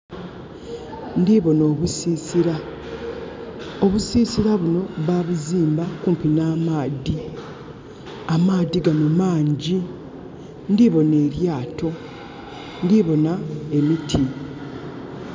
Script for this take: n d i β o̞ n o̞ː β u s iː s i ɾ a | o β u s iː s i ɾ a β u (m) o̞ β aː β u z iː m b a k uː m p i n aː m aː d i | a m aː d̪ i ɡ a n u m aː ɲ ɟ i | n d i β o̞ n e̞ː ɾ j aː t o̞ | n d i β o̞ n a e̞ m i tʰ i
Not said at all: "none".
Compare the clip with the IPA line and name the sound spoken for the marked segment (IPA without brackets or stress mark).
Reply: n